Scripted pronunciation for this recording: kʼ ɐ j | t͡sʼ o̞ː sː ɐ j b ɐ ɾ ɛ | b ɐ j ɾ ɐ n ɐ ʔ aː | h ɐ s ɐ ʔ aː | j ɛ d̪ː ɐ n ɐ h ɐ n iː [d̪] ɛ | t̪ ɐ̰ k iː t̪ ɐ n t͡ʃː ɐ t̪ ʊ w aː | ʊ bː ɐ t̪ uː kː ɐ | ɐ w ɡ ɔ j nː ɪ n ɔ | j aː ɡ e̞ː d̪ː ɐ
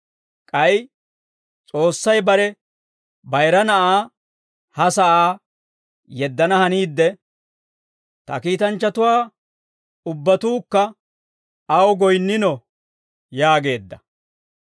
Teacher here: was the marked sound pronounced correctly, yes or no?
no